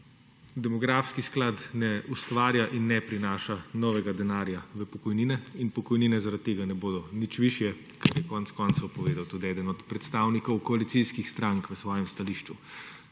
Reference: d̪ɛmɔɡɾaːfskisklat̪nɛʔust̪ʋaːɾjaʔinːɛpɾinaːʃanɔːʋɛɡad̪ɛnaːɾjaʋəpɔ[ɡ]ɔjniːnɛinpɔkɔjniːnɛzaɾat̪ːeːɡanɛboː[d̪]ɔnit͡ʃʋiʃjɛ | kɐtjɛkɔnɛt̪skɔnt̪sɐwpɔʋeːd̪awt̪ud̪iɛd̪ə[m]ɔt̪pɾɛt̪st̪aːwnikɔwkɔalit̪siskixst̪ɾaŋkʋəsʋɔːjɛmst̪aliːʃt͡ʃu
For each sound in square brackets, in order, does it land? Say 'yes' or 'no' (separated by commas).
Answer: no, yes, no